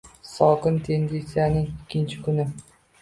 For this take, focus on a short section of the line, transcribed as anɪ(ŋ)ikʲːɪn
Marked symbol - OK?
yes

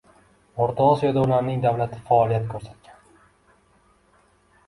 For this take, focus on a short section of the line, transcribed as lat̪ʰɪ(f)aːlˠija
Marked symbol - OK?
yes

